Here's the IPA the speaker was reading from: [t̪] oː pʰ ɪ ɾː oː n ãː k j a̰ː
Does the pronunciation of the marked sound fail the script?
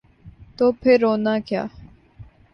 no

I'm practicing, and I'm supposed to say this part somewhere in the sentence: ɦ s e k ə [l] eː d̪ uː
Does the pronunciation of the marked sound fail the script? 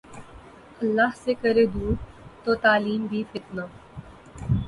yes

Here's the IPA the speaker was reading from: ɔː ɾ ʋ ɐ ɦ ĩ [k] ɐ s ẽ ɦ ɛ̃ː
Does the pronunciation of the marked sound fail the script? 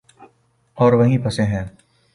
yes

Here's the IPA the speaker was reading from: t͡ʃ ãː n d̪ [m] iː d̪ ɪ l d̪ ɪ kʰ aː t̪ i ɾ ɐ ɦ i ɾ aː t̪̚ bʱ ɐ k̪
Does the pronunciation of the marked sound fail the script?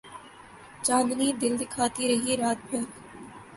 yes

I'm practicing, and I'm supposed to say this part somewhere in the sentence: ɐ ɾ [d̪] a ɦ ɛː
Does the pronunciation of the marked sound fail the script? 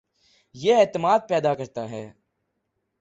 yes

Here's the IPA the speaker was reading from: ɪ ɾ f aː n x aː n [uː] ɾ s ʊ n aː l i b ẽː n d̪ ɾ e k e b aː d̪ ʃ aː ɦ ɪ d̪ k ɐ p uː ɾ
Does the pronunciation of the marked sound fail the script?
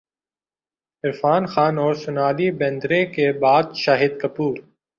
yes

